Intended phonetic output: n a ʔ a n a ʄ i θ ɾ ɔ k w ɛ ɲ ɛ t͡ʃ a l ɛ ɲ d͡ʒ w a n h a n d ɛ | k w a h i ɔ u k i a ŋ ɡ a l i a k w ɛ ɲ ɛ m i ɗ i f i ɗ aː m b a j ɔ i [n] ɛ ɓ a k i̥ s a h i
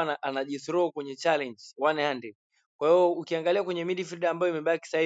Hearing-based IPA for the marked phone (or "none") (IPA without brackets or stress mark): m